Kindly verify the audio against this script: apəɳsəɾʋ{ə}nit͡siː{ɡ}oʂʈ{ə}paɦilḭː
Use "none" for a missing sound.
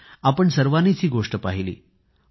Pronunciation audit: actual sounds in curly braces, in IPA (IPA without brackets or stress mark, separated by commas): a, ɡ, ə